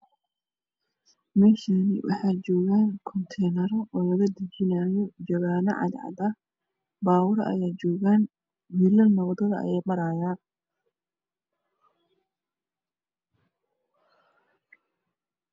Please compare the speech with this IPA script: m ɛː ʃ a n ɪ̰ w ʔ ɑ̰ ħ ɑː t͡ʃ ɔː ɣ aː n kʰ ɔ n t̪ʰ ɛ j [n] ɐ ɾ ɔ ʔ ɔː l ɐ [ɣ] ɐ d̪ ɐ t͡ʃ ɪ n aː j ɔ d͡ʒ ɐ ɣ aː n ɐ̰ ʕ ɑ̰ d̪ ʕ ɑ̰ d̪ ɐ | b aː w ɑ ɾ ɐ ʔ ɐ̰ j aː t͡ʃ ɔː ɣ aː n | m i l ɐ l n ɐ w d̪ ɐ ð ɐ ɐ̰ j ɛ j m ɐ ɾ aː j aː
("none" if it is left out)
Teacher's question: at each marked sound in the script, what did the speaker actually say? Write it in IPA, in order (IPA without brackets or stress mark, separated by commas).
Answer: n, ɣ